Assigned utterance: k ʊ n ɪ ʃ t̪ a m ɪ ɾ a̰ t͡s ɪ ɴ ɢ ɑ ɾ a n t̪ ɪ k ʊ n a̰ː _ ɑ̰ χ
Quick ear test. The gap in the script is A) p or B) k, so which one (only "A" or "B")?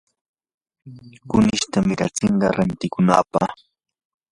A